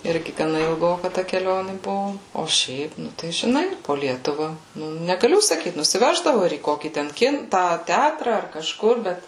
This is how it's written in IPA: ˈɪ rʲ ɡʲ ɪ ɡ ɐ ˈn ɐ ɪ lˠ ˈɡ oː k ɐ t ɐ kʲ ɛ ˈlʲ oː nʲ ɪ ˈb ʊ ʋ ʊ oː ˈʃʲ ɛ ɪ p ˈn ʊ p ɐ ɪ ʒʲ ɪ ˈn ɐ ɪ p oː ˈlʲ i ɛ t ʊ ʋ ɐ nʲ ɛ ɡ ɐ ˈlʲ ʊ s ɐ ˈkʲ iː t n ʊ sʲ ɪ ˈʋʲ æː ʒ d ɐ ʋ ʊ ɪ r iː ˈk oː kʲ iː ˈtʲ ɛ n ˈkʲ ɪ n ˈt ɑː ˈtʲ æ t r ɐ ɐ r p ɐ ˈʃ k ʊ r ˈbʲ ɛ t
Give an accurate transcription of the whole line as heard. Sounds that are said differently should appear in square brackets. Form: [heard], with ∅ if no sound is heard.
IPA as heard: ˈɪ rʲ ɡʲ ɪ ɡ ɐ ˈn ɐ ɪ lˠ ˈɡ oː k ɐ t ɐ kʲ ɛ ˈlʲ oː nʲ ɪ ˈb ʊ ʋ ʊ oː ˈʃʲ ɛ ɪ p ˈn ʊ [t] ɐ ɪ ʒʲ ɪ ˈn ɐ ɪ p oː ˈlʲ i ɛ t ʊ ʋ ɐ nʲ ɛ ɡ ɐ ˈlʲ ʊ s ɐ ˈkʲ iː t n ʊ sʲ ɪ ˈʋʲ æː ʒ d ɐ ʋ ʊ ɪ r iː ˈk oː kʲ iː ˈtʲ ɛ n ˈkʲ ɪ n ˈt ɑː ˈtʲ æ t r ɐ ɐ r [k] ɐ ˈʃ k ʊ r ˈbʲ ɛ t